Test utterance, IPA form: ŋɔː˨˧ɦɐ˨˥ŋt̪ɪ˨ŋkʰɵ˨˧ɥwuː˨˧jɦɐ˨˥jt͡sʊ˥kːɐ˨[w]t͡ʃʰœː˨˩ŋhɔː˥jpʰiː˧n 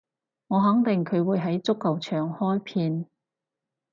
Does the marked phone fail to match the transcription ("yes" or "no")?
no